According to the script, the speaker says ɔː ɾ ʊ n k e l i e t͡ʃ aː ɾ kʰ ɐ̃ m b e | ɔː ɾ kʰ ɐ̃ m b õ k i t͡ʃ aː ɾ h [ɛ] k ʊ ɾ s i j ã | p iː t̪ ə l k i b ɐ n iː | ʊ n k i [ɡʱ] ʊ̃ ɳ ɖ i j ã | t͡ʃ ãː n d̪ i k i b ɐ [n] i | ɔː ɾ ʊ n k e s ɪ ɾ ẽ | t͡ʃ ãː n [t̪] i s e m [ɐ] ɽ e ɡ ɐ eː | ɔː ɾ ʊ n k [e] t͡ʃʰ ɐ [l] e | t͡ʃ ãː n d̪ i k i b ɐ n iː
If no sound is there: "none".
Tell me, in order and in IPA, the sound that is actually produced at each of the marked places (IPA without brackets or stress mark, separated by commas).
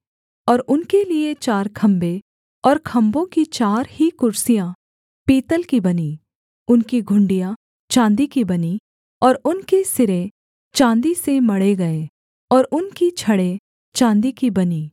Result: i, ɡʱ, n, d̪, ɐ, i, ɽ